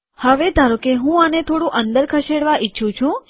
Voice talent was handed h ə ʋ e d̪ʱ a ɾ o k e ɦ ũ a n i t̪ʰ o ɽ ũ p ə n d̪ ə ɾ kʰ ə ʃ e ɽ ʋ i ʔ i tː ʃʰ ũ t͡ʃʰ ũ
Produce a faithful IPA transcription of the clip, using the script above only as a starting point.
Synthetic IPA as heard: h ə ʋ e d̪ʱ a ɾ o k e ɦ ũ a n e t̪ʰ o ɽ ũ ʔ ə n d̪ ə ɾ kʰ ə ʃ e ɽ ʋ a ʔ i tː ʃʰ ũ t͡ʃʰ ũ